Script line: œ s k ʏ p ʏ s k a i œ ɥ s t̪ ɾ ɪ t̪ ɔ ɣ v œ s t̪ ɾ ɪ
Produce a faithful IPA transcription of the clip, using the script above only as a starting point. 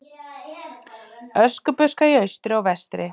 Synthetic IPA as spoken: œ s k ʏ p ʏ s k a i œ ɥ s t̪ ɾ ɪ ɔ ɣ v ɛ s t̪ ɾ ɪ